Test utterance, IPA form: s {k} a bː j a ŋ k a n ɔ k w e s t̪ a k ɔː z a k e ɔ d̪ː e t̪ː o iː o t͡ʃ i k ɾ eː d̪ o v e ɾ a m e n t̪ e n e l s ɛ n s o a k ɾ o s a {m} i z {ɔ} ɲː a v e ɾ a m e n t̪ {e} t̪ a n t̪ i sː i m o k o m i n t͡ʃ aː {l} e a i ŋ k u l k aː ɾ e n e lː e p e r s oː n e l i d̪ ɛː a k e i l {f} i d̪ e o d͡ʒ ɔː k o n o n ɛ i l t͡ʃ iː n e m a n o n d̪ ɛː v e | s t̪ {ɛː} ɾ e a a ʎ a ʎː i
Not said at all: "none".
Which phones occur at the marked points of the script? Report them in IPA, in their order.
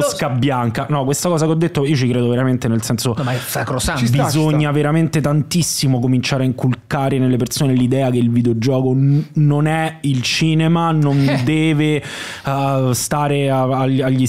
k, b, o, e, ɾ, v, aː

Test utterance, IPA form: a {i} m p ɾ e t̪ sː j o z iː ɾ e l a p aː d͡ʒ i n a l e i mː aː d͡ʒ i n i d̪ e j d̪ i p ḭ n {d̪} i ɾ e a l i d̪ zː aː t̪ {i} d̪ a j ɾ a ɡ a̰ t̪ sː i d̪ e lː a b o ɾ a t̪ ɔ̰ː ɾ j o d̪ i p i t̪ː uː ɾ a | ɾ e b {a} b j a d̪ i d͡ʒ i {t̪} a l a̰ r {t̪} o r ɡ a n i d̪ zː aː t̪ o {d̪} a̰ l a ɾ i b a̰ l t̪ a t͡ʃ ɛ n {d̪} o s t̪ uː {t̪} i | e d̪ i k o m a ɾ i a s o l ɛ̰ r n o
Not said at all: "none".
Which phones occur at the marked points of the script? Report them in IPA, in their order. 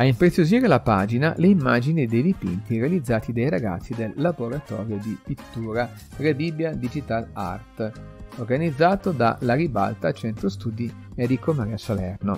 i, t̪, i, i, t̪, t̪, d̪, t̪, d̪

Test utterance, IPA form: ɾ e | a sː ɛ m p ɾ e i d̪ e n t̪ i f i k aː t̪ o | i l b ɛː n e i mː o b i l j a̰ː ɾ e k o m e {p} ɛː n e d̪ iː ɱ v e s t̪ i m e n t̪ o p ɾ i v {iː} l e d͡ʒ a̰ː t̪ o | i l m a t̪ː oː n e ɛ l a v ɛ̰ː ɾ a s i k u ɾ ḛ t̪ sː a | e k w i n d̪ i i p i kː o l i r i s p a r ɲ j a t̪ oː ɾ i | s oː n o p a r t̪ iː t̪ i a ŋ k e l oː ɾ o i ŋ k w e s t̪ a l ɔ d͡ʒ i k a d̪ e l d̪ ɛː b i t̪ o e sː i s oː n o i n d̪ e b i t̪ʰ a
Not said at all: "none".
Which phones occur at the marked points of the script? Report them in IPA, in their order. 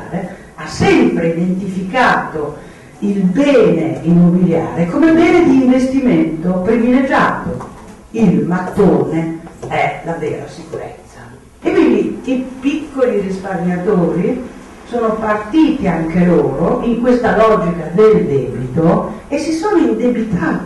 b, i

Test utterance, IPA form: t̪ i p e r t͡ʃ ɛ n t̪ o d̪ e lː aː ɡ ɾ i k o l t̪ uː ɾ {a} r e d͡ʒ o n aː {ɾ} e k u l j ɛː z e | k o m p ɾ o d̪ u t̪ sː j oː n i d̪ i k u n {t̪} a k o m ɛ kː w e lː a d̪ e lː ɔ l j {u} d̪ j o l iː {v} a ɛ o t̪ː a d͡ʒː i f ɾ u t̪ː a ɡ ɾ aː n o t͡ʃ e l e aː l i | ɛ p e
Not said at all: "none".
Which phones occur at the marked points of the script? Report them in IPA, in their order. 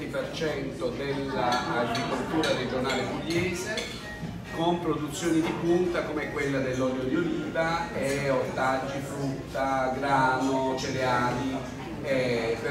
a, l, t̪, o, v

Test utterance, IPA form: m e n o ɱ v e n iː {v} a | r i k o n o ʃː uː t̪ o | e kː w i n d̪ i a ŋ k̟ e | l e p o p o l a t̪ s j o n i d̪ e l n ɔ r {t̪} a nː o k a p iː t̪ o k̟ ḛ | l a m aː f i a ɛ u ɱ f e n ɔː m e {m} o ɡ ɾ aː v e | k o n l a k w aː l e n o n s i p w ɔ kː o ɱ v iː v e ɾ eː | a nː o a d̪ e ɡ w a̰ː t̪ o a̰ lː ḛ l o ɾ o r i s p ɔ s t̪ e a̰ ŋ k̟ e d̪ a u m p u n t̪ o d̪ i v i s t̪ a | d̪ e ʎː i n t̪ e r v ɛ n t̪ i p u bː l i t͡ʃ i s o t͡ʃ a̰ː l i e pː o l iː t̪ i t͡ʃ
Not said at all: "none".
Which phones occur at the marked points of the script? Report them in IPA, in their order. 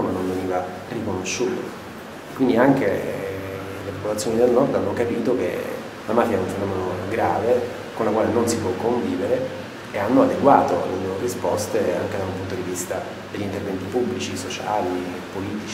v, d̪, n

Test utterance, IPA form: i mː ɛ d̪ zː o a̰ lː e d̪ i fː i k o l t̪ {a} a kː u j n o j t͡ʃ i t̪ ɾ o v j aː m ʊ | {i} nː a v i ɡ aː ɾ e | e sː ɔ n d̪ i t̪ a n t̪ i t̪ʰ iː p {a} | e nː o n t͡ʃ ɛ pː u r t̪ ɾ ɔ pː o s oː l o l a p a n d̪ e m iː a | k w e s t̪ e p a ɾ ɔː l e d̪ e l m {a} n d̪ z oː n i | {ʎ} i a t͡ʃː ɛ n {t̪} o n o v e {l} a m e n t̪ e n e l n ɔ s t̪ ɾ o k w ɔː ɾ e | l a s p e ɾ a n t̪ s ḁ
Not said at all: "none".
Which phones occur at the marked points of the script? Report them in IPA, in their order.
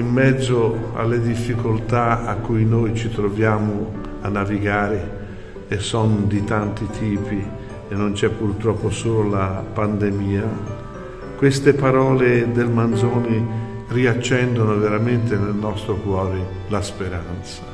a, a, i, a, r, d̪, ɾ

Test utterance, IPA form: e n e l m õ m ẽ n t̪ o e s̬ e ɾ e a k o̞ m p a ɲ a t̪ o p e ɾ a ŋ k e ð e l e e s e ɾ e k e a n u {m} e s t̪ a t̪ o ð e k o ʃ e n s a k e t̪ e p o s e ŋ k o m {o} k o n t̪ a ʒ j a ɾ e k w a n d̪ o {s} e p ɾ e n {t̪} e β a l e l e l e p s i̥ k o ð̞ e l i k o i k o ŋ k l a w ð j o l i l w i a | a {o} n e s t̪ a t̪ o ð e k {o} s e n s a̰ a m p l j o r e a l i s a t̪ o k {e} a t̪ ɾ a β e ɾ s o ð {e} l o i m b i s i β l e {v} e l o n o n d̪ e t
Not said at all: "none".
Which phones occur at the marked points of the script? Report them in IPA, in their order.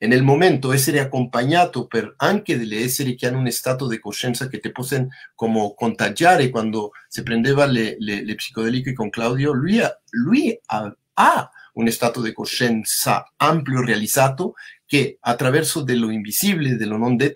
n, o, s, d̪, u, o, e, e, ð

